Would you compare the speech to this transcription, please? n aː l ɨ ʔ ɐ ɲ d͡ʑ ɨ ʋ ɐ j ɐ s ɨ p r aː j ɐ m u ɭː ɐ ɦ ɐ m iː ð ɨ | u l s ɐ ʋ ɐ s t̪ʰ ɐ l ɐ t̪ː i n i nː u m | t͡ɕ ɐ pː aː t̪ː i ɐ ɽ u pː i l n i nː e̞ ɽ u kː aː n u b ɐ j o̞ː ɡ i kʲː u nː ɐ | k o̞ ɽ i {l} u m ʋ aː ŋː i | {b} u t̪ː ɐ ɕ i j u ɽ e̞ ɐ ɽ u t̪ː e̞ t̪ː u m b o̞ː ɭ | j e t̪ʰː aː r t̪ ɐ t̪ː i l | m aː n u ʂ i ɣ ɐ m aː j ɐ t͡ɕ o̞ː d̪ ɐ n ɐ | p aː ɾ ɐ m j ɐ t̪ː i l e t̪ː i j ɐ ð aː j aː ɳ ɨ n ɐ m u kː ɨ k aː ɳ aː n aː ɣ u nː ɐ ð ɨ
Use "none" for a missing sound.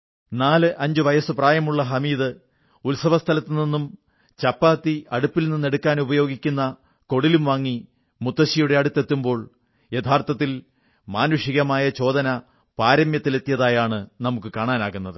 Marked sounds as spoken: l, m

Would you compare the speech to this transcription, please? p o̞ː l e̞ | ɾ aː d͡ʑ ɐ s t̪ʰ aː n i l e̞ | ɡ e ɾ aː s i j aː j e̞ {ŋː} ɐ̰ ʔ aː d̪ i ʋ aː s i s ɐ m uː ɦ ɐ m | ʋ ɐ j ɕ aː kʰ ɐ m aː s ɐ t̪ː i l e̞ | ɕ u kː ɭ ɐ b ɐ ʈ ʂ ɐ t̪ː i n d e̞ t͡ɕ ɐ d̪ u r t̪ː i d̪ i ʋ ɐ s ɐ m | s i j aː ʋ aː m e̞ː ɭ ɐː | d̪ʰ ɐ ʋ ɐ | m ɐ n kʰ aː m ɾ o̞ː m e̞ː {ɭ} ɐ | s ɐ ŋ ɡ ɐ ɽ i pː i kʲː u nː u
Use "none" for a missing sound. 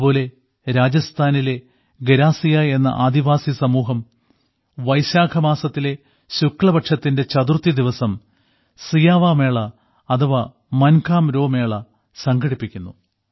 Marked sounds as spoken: nː, ɭ

